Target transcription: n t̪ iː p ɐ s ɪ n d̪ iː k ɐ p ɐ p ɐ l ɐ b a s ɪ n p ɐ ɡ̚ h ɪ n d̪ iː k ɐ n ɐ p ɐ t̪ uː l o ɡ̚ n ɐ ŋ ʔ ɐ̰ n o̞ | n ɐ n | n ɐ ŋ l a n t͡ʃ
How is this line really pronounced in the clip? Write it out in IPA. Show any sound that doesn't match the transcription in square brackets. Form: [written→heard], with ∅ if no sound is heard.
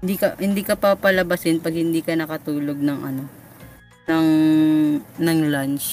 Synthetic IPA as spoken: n [t̪→d̪] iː [p→k] ɐ [s→h] ɪ n d̪ iː k ɐ p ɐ p ɐ l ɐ b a s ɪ n p ɐ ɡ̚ h ɪ n d̪ iː k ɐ n ɐ [p→k] ɐ t̪ uː l o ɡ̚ n ɐ ŋ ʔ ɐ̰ n o̞ | n ɐ [n→ŋ] | n ɐ ŋ l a n t͡ʃ